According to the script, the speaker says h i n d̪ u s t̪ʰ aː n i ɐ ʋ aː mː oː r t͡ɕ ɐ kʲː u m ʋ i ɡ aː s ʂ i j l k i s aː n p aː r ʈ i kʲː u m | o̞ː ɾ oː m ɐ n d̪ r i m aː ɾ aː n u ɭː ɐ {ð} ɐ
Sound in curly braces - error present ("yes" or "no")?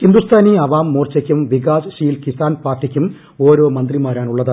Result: no